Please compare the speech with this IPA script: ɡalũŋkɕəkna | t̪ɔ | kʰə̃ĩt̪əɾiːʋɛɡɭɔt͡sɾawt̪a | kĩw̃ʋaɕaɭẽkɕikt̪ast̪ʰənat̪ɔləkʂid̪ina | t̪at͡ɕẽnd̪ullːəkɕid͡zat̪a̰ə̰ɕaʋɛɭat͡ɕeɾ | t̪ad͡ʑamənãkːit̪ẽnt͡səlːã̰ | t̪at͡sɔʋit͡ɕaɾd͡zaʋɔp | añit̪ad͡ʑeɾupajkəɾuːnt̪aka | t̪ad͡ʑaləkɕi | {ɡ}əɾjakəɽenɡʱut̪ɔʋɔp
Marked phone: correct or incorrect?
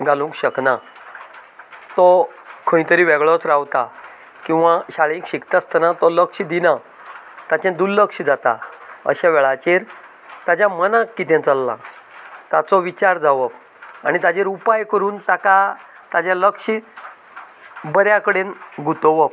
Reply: incorrect